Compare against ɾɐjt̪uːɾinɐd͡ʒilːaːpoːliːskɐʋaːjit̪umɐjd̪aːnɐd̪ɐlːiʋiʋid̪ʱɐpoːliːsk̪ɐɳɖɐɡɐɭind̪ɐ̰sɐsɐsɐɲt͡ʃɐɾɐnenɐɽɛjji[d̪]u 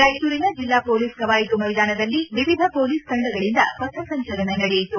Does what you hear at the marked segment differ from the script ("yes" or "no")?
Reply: yes